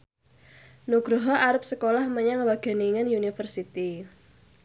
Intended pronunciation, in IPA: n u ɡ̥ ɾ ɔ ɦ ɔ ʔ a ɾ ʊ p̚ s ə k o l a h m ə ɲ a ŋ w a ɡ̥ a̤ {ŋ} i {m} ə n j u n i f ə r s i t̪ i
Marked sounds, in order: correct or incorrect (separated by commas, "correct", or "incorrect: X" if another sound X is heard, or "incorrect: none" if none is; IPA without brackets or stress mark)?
incorrect: n, incorrect: ŋ